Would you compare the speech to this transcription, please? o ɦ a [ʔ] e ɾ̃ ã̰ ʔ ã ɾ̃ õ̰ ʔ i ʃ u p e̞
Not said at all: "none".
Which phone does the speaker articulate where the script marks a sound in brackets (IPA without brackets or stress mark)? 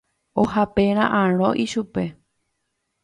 p